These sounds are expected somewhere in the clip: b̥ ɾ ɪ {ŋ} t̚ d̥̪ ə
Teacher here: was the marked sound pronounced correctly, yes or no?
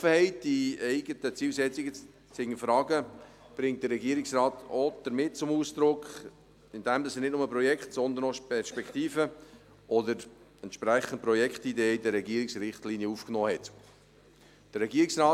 yes